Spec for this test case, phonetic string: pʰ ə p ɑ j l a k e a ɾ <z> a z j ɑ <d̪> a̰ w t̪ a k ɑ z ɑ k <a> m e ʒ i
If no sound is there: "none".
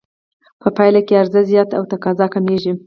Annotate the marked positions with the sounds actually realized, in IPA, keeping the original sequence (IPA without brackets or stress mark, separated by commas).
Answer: z, t̪, a